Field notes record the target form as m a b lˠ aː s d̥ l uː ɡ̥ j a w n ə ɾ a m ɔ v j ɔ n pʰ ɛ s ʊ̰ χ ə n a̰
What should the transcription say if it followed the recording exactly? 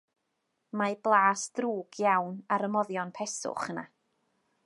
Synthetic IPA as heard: m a b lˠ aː s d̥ r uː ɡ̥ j a w n a ɾ ə m ɔ ð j ɔ n pʰ ɛ s ʊ̰ χ ə n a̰